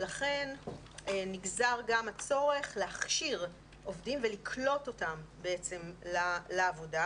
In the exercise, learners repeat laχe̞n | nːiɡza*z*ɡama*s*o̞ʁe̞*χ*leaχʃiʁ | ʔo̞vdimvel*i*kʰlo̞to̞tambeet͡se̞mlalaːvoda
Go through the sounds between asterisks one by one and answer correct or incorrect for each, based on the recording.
incorrect, incorrect, correct, correct

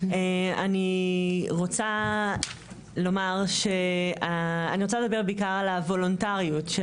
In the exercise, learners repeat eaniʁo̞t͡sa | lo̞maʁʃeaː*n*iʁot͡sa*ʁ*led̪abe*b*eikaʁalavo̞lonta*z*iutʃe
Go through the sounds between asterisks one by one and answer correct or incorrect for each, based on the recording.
correct, incorrect, correct, incorrect

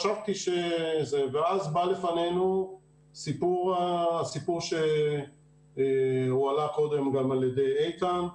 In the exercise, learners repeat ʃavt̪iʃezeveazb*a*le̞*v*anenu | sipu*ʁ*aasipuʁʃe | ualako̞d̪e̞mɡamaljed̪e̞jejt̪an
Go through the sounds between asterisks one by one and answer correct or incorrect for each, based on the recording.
correct, incorrect, correct

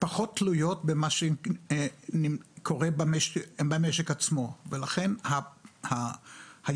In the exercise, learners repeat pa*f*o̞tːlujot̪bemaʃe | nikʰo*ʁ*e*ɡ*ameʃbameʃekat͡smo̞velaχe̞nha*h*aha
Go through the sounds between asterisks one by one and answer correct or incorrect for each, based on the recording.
incorrect, correct, incorrect, correct

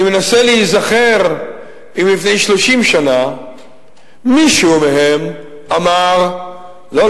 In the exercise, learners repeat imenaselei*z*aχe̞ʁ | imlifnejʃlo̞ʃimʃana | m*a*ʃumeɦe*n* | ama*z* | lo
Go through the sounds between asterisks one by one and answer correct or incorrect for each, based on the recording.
correct, incorrect, incorrect, incorrect

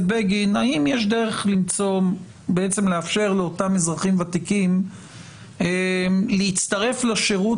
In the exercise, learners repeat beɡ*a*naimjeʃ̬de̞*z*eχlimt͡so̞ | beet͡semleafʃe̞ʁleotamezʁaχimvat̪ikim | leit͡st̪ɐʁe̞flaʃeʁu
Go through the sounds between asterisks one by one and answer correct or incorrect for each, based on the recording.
incorrect, incorrect

